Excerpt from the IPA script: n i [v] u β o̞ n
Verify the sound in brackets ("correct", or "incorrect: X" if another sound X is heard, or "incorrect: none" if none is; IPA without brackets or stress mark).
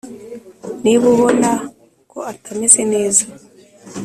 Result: incorrect: β